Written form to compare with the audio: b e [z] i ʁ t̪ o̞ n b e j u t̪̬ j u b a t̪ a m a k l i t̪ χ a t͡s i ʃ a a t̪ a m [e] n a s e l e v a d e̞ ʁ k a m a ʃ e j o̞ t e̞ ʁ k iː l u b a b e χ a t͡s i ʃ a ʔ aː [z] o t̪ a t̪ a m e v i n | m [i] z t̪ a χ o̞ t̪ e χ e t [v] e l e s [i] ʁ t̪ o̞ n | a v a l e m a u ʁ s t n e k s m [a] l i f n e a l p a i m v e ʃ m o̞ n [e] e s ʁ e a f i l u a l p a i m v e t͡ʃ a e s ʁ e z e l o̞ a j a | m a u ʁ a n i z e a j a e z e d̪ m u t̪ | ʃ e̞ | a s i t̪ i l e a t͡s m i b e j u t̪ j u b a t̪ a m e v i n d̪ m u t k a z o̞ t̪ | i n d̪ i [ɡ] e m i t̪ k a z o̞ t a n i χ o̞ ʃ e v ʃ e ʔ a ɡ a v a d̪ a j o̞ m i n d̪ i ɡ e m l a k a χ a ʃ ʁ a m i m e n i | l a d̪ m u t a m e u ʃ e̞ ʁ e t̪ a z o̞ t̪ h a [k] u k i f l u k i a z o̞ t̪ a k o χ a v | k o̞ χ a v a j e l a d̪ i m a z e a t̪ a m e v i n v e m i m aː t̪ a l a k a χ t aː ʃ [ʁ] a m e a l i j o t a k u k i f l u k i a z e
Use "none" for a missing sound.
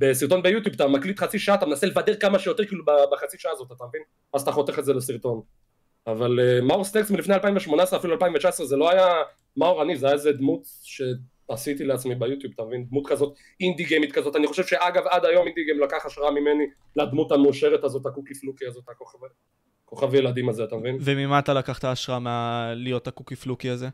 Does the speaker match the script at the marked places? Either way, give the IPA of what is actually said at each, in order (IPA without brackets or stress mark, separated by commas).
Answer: s, e, z, a, z, i, i, a, ɡ, k, ʁ